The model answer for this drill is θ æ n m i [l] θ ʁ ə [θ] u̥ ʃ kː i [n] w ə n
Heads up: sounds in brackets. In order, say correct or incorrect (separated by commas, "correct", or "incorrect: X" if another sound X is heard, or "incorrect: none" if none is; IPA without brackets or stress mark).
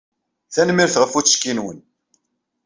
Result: incorrect: ɾ, incorrect: f, correct